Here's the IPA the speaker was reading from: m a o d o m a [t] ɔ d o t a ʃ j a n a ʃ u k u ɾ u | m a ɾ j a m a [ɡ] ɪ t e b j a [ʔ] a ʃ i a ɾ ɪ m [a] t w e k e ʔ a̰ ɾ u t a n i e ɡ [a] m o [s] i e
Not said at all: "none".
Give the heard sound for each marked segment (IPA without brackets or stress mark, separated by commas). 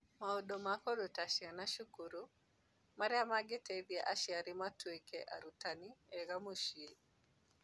k, ɡ, ʔ, a, a, ʃ